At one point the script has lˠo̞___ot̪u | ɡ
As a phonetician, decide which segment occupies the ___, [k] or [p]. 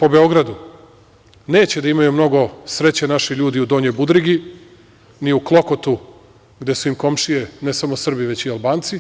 k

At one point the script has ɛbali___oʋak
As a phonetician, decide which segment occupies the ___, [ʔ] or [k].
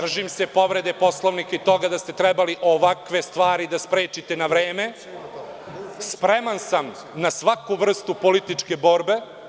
ʔ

